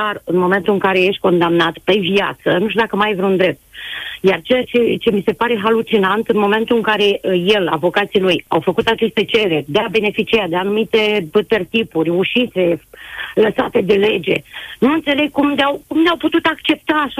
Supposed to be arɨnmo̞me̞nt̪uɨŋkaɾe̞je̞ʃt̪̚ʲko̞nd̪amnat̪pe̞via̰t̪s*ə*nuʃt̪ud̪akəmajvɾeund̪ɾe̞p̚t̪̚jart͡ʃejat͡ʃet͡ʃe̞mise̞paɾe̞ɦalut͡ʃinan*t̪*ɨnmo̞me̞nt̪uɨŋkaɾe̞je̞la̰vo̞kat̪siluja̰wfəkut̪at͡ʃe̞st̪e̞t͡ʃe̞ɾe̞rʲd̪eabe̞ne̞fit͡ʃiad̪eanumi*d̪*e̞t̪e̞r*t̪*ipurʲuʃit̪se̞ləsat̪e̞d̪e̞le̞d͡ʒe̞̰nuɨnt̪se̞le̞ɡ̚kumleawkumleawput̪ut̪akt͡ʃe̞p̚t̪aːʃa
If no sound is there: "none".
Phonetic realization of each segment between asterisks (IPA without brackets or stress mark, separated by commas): ə, t̪, t̪, t̪